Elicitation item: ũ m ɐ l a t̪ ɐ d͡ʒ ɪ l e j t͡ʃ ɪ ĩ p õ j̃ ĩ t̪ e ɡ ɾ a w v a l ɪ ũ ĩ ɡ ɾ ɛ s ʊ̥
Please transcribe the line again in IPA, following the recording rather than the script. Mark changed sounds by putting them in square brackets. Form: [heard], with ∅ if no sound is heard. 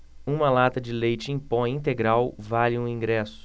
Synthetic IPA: ũ m ɐ l a t̪ ɐ d͡ʒ ɪ l e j t͡ʃ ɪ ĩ p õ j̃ ĩ t̪ e ɡ ɾ a w v a l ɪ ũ ĩ ɡ ɾ ɛ s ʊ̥